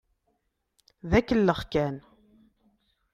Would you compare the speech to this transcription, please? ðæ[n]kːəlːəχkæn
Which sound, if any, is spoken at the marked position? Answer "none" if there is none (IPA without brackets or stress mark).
none